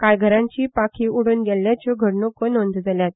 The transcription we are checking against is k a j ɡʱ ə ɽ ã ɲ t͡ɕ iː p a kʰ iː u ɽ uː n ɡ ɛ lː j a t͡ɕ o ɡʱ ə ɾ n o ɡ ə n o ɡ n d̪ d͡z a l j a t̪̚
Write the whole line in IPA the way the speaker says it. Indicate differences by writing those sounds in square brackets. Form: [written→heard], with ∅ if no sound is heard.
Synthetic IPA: k a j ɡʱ ə [ɽ→ɾ] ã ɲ t͡ɕ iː p a kʰ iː u ɽ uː n ɡ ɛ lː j a t͡ɕ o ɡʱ ə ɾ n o [ɡ→k] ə n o [ɡ→∅] n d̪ d͡z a l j a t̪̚